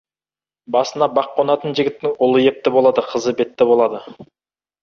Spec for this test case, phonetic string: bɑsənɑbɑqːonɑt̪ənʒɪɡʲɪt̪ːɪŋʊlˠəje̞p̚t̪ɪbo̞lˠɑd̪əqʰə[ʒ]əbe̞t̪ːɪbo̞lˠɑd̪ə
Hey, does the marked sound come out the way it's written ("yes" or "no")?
no